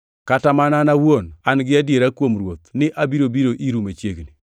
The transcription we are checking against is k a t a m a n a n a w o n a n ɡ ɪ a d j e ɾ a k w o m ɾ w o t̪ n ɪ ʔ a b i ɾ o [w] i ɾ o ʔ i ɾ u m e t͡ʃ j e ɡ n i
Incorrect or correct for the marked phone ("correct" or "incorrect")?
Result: incorrect